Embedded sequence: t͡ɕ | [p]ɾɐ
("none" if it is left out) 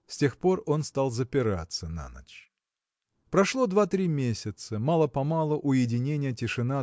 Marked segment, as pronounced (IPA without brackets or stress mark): p